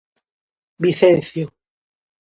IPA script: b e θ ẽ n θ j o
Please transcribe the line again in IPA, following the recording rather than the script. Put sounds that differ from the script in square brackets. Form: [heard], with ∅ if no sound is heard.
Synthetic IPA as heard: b [i] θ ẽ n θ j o